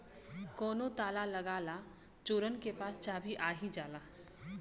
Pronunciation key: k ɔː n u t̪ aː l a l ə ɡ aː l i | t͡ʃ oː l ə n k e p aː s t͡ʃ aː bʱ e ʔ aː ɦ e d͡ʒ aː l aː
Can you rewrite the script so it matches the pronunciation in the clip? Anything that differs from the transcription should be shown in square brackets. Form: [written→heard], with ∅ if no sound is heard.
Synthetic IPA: k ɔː n [u→o] t̪ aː l a l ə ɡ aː l [i→a] | t͡ʃ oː [l→ɾ] ə n k e p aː s t͡ʃ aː bʱ [e→i] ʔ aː ɦ [e→i] d͡ʒ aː l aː